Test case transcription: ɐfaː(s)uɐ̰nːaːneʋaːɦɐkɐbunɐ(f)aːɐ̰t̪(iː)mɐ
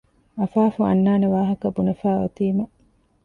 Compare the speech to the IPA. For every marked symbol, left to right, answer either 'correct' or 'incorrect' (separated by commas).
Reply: incorrect, correct, correct